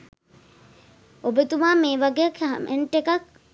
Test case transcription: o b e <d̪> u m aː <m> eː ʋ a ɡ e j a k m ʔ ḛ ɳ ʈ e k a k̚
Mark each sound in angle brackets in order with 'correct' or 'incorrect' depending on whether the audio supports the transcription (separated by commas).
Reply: incorrect, correct